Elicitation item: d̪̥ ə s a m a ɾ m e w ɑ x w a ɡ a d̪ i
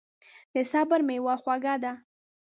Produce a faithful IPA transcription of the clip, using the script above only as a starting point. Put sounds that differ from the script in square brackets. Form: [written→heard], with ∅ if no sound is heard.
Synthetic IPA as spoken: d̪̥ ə s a [m→b] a ɾ m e w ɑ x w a ɡ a d̪ [i→a]